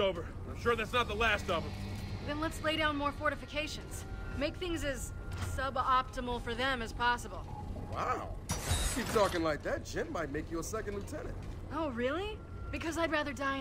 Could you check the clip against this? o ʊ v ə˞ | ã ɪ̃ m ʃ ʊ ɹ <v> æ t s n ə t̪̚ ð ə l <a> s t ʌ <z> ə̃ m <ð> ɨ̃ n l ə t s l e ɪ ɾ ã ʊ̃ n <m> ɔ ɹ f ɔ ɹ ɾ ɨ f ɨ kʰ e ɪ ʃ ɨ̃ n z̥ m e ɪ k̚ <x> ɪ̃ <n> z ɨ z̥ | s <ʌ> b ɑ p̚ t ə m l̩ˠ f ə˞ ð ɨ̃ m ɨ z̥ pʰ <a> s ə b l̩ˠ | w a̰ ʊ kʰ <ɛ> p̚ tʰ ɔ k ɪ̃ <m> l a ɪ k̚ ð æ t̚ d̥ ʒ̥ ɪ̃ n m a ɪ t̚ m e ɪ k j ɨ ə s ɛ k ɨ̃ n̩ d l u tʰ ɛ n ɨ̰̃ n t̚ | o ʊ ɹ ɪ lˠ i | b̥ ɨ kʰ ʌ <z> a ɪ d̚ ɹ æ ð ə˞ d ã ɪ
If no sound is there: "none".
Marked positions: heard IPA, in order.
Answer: ð, æ, v, ð, m, θ, ŋ, ʌ, ɑ, i, ŋ, z

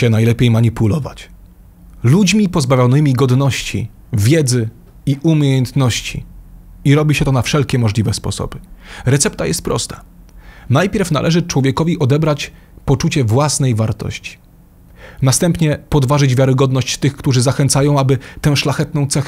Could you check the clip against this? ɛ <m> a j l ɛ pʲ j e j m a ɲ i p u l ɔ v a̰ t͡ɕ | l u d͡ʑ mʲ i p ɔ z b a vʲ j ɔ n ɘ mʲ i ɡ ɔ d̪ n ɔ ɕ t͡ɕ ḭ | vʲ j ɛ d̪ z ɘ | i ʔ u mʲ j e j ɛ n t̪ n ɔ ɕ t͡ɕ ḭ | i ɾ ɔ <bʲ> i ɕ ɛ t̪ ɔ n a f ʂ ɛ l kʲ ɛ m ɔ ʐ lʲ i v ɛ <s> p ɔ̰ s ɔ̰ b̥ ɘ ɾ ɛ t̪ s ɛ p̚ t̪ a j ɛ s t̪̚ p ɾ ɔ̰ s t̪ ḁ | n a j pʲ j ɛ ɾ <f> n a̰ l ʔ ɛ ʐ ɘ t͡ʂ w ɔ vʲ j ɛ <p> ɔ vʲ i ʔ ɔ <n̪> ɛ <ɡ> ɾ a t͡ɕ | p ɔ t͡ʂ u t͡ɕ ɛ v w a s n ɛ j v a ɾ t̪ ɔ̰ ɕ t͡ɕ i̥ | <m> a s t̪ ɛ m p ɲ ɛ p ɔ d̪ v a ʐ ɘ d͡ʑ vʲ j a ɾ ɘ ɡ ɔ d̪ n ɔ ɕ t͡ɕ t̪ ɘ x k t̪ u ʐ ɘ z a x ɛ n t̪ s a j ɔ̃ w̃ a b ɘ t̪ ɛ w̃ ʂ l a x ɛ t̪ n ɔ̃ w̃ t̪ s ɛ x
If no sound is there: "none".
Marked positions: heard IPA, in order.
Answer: n, bʲ, s, f, k, d̪, b, n

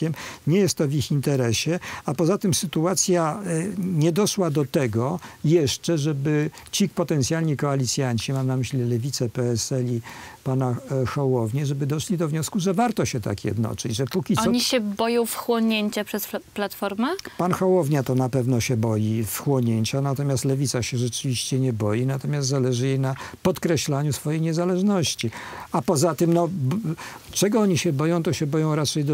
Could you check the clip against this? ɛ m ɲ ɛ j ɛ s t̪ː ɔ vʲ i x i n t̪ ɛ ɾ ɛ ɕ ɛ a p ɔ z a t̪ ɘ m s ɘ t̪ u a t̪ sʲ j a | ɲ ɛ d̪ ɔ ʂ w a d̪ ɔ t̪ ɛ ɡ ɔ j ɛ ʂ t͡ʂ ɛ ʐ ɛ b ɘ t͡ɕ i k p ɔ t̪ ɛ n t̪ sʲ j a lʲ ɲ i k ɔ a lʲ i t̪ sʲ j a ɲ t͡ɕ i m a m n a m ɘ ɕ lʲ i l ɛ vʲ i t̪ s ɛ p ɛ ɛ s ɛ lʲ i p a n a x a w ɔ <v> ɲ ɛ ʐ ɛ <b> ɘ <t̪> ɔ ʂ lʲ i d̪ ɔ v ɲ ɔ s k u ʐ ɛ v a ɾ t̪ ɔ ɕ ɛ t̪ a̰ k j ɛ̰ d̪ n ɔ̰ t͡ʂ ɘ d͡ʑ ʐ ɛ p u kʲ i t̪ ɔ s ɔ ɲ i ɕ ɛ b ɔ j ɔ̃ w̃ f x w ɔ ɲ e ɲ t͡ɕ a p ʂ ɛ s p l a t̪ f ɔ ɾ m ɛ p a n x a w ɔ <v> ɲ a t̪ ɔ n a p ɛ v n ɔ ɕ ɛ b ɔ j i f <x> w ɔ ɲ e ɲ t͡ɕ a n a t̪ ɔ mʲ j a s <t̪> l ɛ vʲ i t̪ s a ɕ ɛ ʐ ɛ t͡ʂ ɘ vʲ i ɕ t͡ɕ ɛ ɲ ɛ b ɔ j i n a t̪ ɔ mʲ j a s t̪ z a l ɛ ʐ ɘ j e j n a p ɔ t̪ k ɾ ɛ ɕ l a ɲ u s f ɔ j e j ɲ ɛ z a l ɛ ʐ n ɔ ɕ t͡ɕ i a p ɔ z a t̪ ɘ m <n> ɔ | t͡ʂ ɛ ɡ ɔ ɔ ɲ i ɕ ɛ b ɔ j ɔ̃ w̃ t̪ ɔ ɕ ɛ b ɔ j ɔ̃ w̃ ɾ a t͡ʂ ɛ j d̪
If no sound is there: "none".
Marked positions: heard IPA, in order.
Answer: v, b, d̪, v, x, t̪, n

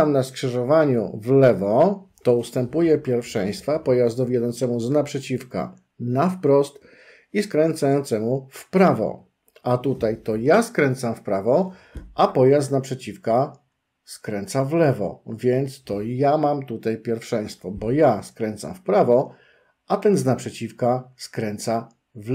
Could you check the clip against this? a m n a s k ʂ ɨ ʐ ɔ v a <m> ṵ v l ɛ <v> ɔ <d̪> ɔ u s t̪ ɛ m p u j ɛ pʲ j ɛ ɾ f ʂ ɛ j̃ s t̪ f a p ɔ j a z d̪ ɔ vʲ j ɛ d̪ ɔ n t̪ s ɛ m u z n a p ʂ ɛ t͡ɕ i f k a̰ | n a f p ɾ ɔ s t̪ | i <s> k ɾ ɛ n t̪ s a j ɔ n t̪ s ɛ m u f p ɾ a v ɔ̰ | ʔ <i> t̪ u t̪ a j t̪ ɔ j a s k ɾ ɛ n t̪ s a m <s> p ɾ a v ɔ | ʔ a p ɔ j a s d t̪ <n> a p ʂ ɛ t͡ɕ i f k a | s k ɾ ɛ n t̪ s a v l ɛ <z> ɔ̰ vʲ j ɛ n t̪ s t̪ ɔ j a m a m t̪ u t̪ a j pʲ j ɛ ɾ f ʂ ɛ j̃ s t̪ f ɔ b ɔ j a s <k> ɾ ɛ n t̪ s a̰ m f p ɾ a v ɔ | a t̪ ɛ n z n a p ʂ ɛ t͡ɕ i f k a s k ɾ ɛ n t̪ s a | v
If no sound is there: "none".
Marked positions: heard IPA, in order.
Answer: ɲ, v, t̪, s, a, f, n, v, k

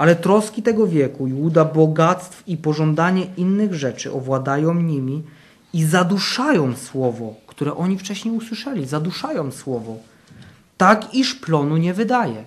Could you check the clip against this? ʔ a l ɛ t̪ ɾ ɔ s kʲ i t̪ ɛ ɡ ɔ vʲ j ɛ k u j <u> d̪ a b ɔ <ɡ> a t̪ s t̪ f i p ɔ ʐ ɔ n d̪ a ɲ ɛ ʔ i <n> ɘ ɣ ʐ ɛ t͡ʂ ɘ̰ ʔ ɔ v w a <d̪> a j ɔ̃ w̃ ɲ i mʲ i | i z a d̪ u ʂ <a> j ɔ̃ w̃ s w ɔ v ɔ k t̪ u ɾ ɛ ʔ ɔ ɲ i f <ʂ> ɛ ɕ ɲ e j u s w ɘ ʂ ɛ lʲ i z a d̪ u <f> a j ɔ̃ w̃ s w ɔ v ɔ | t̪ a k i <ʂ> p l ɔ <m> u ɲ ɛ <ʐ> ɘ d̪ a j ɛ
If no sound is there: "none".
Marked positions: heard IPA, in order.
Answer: u, ɡ, nː, d̪, a, t͡ʂ, ʂ, ʂ, n, v

